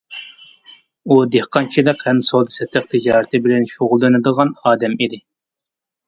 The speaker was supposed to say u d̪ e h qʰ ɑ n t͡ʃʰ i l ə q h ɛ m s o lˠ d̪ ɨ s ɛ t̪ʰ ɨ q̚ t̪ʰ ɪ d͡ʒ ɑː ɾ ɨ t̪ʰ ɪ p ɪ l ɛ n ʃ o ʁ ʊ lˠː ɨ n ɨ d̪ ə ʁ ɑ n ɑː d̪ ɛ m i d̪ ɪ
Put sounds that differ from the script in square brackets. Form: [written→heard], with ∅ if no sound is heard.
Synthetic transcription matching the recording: u d̪ e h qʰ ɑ n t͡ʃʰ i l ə q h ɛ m s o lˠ d̪ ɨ s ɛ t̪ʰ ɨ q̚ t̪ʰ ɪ d͡ʒ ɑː ɾ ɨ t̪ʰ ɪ [p→b] ɪ l ɛ n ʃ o ʁ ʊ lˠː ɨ n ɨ d̪ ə ʁ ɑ n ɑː d̪ ɛ m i d̪ ɪ